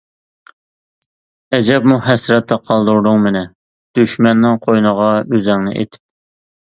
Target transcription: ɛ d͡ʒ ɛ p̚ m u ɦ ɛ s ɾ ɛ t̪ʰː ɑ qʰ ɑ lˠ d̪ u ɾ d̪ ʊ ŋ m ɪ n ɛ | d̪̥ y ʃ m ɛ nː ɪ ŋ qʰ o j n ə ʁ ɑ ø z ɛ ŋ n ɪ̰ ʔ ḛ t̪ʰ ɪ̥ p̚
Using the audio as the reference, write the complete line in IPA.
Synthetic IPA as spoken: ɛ d͡ʒ ɛ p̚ m u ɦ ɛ s ɾ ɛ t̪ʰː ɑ qʰ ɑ lˠ d̪ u ɾ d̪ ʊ ŋ m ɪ n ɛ | d̪̥ y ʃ m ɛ nː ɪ ŋ qʰ o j n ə ʁ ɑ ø z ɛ ŋ n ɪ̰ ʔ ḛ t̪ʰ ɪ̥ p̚